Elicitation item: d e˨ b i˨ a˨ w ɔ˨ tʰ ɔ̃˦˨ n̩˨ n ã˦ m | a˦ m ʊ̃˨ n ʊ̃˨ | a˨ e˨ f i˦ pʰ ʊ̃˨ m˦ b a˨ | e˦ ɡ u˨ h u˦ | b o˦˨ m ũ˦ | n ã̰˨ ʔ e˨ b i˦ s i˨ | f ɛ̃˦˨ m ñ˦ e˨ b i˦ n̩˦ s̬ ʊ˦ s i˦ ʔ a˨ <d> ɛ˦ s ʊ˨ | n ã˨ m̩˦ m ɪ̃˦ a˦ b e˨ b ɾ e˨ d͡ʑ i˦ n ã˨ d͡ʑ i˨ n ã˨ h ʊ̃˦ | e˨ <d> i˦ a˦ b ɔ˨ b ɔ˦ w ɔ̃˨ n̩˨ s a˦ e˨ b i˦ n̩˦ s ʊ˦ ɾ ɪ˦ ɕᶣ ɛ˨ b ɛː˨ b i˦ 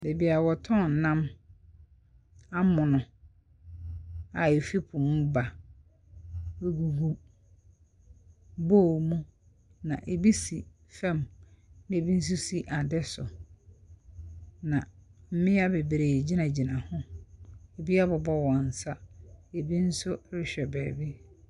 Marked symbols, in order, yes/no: yes, no

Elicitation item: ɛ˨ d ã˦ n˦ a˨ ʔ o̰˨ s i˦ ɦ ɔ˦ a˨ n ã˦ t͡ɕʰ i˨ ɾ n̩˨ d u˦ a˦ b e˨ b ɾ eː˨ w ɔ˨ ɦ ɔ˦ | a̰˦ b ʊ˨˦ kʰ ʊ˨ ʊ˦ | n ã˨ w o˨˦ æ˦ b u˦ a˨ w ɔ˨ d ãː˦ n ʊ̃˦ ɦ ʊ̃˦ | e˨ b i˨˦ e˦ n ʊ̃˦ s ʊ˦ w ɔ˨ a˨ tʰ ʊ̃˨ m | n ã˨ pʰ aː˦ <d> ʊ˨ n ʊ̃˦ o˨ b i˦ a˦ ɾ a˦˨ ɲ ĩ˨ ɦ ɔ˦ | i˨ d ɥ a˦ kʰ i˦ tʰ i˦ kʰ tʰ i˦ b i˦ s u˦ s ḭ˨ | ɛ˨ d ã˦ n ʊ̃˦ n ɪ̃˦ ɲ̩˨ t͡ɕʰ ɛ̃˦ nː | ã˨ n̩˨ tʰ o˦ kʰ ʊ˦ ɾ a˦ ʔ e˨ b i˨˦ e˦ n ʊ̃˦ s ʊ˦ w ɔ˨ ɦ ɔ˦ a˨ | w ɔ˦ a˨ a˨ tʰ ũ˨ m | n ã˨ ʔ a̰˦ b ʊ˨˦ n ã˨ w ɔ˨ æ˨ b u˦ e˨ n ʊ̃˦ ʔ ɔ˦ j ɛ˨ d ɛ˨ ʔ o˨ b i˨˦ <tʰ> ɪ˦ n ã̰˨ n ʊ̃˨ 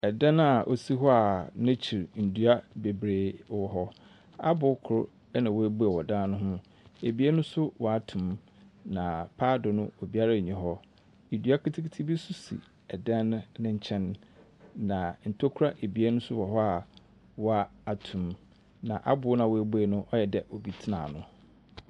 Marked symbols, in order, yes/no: yes, yes

